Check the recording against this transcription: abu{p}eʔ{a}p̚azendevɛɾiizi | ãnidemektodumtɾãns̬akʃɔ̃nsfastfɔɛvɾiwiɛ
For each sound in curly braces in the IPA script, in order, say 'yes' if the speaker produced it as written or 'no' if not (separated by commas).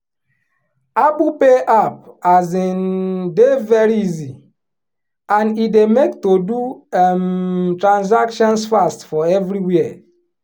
yes, yes